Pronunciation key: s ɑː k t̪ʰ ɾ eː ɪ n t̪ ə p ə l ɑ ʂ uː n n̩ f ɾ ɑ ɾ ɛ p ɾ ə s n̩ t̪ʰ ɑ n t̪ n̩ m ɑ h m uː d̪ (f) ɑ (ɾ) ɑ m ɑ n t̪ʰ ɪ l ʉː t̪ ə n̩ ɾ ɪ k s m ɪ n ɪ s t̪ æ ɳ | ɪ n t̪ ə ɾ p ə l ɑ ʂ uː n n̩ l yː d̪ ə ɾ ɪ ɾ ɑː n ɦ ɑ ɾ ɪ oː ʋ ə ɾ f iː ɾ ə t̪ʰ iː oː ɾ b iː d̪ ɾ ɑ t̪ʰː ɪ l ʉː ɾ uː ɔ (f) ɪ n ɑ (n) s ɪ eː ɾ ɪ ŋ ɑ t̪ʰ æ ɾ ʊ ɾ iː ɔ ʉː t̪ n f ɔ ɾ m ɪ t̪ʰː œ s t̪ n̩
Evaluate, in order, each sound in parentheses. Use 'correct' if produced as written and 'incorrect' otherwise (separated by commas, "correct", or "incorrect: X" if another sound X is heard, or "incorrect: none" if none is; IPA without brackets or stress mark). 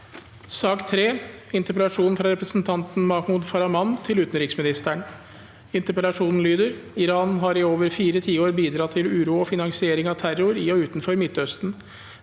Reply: correct, correct, correct, incorrect: ŋ